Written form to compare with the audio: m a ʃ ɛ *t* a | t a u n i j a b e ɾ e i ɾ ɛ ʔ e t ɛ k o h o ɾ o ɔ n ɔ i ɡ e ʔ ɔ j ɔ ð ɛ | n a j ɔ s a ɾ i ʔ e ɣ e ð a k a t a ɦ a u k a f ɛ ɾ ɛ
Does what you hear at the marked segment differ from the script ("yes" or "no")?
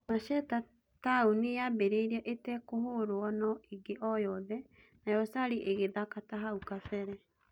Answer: no